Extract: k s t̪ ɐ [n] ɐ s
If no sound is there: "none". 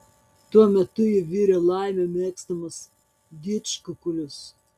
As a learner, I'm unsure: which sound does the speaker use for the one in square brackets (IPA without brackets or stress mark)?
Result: m